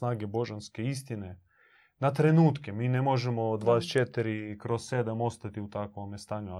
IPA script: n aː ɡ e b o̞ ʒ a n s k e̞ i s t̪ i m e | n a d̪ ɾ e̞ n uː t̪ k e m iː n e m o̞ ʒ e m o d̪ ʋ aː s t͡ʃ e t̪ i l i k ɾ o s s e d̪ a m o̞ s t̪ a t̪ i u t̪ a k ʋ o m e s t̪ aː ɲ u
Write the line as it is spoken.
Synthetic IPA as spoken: n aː ɡ e b o̞ ʒ a n s k e̞ i s t̪ i n e | n a t̪ ɾ e̞ n uː t̪ k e m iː n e m o̞ ʒ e m o d̪ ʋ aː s t͡ʃ e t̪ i ɾ i k ɾ o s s e d̪ a m o̞ s t̪ a t̪ i u t̪ a k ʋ o m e s t̪ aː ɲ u